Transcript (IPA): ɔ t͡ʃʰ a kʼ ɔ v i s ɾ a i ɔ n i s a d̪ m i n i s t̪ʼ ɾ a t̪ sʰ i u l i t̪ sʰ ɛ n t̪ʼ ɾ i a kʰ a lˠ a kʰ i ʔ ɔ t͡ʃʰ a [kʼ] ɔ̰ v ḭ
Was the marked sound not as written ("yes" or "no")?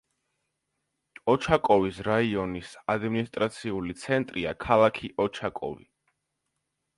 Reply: no